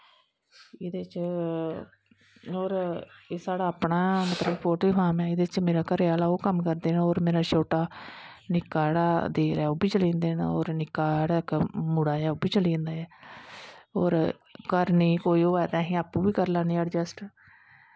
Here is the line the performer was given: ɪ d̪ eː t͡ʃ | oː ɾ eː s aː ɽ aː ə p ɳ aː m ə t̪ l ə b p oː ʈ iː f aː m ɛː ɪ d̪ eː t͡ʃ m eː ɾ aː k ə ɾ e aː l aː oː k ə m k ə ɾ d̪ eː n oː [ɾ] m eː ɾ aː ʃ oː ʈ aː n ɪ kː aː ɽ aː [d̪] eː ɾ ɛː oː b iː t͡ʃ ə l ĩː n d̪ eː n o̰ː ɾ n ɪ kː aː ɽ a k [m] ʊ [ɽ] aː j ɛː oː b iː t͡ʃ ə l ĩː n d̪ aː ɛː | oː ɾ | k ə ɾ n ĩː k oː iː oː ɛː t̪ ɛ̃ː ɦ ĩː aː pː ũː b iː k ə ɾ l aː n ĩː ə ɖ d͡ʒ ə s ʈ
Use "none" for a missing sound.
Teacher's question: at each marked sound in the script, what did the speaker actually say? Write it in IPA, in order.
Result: ɾ, d̪, m, ɽ

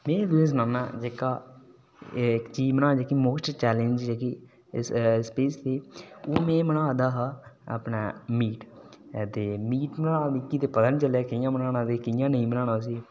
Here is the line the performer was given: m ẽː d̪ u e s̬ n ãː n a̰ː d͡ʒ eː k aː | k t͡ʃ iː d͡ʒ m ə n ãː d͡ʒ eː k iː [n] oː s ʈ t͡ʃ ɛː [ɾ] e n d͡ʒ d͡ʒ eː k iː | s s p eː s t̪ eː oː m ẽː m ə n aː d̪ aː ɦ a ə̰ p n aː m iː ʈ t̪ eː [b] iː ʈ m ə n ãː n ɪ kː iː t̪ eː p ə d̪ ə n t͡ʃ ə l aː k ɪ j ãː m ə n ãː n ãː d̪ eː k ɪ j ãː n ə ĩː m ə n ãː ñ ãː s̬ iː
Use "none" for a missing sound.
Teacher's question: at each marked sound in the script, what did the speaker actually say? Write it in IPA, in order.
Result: m, l, m

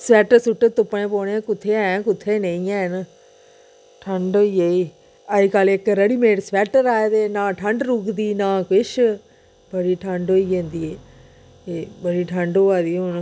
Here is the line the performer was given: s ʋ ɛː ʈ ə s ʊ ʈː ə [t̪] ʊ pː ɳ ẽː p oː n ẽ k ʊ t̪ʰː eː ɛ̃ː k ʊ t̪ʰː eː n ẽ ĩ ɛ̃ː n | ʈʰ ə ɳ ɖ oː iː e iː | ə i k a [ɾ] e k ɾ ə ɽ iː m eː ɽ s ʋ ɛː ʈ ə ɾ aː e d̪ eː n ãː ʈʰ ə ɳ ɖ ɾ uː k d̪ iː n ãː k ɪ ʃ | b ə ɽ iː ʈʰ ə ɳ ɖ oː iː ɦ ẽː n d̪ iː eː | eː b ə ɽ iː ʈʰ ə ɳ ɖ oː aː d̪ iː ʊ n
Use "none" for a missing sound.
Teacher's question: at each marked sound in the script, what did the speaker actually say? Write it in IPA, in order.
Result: t̪, l

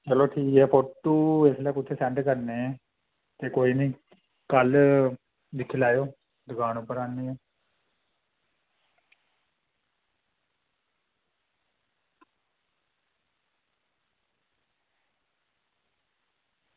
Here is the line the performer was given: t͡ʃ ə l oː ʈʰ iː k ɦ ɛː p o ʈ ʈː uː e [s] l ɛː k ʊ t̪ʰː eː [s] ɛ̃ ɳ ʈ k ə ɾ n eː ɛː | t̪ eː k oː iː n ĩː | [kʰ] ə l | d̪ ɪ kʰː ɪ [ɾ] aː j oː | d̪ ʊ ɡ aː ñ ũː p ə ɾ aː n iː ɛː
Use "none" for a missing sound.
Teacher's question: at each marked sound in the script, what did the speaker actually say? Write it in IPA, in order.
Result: s, s, k, l

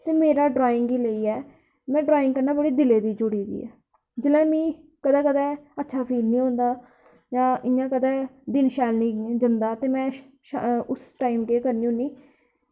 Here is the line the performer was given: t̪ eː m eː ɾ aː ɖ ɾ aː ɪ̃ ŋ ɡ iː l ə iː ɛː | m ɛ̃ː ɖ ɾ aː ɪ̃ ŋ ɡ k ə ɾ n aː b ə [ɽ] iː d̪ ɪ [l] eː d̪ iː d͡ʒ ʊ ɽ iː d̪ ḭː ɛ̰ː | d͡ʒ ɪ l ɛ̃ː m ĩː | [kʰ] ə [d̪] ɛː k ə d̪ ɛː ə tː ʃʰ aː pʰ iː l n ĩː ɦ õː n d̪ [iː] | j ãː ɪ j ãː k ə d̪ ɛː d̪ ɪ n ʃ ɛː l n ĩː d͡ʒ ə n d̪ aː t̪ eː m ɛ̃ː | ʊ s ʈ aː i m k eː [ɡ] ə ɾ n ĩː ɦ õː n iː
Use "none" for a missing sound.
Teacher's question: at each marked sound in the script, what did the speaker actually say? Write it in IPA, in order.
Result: ɽ, l, k, d̪, aː, k

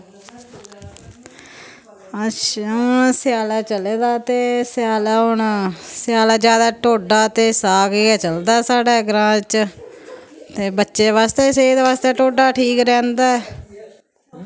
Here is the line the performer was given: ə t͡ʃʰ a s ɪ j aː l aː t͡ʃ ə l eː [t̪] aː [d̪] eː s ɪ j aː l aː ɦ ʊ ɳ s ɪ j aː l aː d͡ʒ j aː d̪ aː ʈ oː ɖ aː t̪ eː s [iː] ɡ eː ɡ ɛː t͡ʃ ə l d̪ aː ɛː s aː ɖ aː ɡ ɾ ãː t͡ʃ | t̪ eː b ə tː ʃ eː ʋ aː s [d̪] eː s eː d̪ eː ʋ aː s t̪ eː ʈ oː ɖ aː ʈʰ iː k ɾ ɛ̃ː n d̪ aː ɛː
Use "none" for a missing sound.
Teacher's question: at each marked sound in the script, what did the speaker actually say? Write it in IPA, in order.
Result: d̪, t̪, aː, t̪

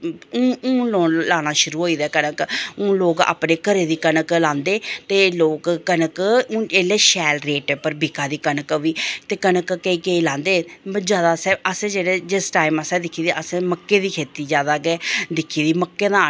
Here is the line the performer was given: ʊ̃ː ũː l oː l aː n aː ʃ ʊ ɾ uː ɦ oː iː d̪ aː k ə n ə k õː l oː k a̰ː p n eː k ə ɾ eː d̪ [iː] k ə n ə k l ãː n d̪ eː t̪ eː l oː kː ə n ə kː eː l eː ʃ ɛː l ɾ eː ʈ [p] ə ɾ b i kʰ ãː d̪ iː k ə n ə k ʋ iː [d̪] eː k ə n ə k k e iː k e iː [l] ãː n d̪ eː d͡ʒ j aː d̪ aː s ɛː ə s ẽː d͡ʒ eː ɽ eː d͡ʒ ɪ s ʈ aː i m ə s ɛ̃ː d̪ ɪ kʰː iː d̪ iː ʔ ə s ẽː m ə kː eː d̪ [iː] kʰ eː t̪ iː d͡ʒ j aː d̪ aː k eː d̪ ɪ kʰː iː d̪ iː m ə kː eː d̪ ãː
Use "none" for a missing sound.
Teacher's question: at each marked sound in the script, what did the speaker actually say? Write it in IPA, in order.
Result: iː, p, t̪, l, iː

